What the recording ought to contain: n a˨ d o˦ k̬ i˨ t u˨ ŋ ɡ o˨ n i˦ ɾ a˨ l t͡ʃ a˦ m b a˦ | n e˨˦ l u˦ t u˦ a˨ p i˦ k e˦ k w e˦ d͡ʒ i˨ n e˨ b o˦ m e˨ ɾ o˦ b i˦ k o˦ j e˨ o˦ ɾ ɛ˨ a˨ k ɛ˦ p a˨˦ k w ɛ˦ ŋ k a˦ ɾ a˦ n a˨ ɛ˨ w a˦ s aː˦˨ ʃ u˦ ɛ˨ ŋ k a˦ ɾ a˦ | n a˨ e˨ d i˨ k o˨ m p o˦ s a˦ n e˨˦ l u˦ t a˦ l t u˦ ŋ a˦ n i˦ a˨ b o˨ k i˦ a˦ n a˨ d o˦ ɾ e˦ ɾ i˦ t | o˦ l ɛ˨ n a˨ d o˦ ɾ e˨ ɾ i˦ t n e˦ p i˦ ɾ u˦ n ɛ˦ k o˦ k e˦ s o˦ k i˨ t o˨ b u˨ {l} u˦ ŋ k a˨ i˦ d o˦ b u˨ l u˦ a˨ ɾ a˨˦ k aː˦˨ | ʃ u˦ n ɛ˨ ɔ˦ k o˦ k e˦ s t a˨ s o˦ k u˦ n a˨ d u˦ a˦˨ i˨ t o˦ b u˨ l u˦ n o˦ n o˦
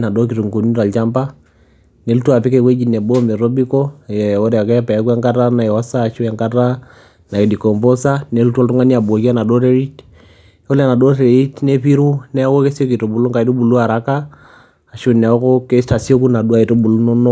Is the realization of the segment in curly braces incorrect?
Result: no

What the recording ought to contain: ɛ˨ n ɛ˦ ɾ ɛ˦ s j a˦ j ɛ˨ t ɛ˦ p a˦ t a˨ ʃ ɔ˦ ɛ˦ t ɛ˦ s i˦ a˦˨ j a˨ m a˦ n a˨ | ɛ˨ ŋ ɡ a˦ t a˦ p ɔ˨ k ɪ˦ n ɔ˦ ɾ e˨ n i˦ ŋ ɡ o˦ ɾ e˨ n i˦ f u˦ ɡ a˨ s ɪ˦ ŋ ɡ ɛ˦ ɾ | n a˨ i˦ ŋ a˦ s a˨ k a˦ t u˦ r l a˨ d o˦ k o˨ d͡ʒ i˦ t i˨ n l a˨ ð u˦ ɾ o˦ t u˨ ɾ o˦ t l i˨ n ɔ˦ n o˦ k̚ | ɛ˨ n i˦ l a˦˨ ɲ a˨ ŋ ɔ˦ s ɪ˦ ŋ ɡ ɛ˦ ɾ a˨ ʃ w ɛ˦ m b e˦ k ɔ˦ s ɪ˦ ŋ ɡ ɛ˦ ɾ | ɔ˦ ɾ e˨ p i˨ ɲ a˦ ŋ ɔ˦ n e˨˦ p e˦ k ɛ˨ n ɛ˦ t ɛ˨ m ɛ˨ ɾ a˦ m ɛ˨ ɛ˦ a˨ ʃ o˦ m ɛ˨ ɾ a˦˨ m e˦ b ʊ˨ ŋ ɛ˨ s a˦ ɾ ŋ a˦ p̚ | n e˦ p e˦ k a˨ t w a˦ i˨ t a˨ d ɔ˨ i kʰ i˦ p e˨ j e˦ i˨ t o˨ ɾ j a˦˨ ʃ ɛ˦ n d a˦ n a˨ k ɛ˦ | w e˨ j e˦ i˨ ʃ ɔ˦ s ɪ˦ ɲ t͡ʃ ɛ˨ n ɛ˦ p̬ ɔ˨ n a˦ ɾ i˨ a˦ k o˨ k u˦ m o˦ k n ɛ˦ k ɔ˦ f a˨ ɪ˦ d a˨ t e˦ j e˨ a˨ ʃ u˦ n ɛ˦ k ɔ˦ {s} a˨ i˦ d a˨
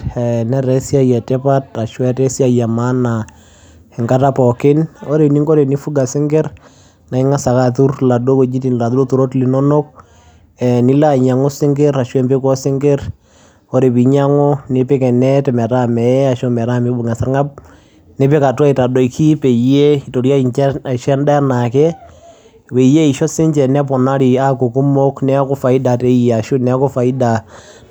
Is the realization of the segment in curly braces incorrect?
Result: yes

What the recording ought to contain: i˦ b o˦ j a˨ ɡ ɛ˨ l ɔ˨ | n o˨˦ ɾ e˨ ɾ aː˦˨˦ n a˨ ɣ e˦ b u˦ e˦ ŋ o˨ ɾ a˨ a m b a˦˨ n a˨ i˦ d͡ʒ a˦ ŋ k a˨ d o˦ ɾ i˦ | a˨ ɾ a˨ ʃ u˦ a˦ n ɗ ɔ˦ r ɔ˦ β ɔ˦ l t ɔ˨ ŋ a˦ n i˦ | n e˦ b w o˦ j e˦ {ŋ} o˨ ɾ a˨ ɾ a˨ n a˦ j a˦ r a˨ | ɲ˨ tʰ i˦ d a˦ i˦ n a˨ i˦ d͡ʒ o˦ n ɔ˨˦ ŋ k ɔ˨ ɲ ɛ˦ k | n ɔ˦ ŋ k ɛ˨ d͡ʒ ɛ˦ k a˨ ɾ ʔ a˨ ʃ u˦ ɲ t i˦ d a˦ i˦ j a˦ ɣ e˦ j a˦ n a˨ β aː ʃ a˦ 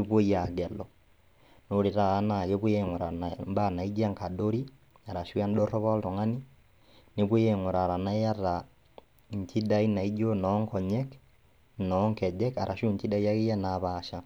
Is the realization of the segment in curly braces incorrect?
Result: no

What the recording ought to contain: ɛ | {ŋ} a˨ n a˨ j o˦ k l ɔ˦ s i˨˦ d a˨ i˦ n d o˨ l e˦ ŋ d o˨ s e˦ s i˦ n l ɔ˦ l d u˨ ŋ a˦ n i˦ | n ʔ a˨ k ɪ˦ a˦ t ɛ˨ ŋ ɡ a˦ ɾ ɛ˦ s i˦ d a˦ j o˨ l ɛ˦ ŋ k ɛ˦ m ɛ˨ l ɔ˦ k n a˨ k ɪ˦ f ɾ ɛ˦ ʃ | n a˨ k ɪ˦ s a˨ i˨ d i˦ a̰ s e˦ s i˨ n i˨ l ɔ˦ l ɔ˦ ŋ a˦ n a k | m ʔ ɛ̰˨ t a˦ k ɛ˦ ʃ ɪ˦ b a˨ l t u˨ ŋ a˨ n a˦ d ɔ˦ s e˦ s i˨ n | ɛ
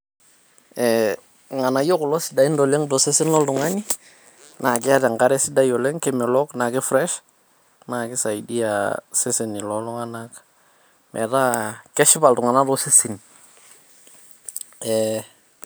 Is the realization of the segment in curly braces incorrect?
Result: no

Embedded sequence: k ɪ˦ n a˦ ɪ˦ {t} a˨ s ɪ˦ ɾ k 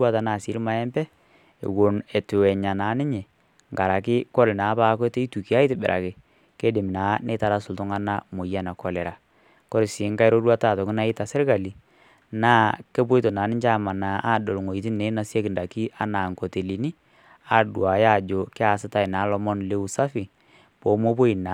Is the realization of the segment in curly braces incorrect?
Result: no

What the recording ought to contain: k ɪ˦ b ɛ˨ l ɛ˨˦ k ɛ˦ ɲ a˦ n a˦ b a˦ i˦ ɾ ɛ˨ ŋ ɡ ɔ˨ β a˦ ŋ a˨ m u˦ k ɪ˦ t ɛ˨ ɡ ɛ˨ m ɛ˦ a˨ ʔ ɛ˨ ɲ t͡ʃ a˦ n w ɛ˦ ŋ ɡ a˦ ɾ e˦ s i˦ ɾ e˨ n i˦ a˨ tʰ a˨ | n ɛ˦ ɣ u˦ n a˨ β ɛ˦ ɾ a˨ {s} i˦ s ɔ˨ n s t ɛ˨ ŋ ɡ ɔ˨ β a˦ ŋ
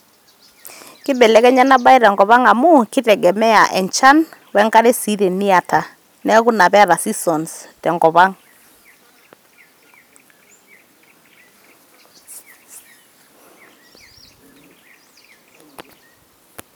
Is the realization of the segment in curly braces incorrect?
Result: no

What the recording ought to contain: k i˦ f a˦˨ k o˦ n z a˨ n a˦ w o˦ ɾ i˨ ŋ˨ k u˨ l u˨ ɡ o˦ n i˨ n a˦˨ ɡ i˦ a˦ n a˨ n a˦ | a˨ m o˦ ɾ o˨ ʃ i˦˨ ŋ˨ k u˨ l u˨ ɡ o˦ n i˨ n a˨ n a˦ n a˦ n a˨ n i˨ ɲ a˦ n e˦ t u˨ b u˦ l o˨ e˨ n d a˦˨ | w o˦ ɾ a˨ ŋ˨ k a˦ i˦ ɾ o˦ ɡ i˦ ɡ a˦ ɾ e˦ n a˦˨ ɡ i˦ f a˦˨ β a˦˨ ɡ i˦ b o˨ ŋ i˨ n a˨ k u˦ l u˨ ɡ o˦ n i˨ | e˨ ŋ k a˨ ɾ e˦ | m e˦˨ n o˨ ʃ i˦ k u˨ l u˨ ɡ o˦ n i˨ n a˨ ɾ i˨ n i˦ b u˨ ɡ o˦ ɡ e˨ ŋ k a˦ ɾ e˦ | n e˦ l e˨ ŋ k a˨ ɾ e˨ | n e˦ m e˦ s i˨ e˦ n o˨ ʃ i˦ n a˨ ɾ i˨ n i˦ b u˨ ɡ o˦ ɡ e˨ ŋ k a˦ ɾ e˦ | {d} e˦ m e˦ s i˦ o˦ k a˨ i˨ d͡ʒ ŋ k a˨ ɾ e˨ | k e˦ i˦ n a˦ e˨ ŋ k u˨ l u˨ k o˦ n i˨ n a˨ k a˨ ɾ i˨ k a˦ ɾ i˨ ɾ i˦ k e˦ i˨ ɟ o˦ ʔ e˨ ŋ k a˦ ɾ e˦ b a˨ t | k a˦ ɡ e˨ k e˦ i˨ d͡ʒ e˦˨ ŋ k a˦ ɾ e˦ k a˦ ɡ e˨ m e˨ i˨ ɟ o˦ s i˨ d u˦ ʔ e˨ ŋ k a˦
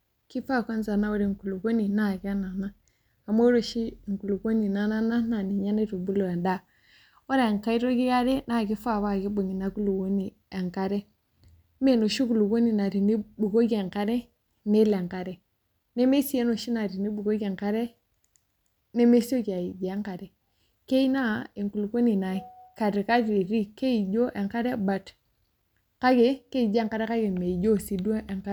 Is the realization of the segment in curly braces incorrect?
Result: yes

